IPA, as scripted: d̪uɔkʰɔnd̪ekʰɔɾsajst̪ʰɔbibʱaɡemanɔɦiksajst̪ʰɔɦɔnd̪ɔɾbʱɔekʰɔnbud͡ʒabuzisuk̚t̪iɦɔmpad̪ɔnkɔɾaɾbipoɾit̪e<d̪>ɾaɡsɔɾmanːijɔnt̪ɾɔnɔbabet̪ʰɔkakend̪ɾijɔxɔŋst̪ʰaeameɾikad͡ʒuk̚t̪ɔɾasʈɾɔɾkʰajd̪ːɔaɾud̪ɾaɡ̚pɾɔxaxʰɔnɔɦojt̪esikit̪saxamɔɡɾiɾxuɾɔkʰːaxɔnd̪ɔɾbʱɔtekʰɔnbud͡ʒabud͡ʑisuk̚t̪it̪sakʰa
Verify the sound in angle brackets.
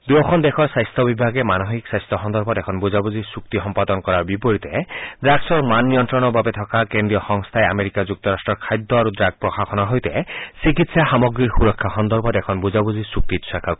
correct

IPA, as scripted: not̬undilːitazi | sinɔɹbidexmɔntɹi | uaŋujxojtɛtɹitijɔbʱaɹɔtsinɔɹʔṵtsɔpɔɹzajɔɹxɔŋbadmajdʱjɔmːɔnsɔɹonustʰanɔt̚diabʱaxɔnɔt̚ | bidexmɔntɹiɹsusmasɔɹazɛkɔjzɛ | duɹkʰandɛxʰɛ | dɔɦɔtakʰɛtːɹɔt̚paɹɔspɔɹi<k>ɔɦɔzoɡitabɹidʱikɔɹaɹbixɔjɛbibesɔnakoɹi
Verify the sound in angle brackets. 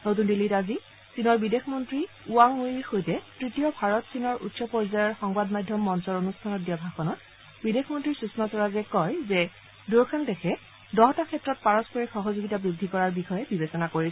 incorrect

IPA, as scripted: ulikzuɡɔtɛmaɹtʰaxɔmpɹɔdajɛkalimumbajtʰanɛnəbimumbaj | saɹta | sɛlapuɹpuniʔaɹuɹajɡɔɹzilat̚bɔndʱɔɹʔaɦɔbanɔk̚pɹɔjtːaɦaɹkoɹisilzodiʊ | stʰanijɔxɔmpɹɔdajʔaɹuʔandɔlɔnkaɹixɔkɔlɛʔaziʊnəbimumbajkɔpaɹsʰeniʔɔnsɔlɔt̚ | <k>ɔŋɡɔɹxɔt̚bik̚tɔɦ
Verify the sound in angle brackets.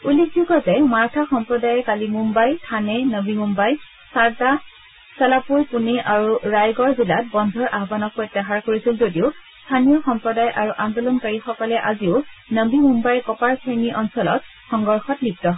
incorrect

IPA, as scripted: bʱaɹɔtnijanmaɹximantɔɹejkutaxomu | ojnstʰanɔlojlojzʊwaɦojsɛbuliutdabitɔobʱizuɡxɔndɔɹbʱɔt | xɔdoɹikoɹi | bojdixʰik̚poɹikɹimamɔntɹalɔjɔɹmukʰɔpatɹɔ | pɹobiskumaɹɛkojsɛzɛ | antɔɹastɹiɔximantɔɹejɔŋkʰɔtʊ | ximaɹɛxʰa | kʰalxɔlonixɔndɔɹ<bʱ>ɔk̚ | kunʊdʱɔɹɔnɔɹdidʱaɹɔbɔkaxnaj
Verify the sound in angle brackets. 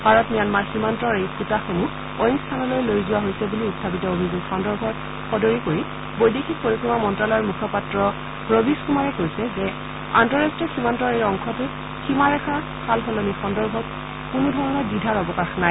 correct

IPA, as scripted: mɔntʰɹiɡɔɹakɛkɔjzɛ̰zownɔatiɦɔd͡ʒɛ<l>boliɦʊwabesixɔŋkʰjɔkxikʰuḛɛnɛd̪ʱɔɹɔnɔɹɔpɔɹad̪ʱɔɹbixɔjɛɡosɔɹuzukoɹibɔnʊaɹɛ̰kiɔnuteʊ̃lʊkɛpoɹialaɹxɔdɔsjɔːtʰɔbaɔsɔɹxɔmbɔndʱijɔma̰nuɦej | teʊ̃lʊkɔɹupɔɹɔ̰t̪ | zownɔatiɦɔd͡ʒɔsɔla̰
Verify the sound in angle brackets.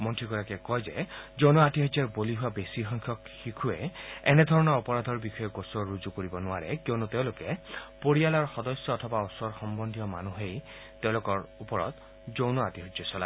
incorrect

